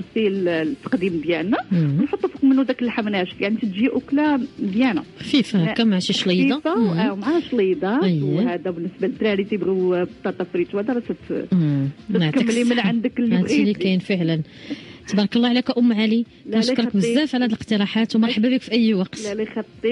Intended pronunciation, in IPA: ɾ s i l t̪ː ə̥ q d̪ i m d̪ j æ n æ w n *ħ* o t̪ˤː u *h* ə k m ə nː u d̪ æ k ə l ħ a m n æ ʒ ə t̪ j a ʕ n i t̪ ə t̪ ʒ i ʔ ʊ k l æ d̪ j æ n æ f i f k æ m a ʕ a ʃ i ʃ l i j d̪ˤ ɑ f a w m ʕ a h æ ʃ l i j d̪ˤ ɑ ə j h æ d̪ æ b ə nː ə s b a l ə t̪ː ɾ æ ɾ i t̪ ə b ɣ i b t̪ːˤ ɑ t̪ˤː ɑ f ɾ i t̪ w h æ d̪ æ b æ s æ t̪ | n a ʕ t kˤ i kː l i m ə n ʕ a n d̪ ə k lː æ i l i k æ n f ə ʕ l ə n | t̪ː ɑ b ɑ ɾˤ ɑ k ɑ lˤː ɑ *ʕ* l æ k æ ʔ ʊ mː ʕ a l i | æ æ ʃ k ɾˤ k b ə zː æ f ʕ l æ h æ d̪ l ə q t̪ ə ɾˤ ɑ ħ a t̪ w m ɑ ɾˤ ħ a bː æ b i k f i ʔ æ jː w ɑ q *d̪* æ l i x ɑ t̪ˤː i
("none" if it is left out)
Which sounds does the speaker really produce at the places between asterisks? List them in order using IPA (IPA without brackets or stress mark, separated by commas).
ħ, f, ʕ, t̪